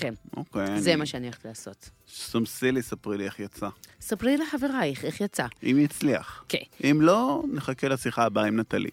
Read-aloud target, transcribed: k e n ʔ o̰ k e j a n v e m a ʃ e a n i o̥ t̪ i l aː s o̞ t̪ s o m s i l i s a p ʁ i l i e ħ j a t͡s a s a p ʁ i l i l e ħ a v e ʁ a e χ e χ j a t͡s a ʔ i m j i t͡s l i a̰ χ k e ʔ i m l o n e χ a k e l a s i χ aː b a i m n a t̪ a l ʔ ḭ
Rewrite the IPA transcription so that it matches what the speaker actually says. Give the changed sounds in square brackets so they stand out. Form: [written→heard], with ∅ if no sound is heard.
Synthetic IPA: k e n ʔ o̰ k e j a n [v→z] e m a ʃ e a n i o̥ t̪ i l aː s o̞ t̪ s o m s i l i s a p ʁ i l i e [ħ→χ] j a t͡s a s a p ʁ i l i l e ħ a v e ʁ a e χ e χ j a t͡s a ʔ i m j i t͡s l i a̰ χ k e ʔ i m l o n e χ a k e l a s i χ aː b a i m n a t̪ a l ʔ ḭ